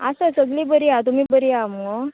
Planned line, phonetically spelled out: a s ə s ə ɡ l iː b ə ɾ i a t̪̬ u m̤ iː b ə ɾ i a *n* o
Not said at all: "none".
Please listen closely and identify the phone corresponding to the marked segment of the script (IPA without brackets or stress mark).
m